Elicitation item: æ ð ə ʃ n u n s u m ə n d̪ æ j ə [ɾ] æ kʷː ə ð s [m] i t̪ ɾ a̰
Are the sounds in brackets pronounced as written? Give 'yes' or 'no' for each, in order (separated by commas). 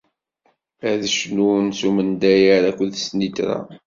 yes, no